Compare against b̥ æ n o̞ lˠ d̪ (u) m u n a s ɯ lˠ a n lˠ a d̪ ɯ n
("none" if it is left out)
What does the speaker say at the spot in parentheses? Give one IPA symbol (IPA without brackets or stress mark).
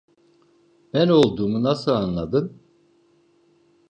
uː